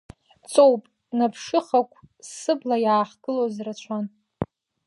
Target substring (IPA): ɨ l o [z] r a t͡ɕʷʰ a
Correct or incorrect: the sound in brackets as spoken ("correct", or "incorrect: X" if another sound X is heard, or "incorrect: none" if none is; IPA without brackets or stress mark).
correct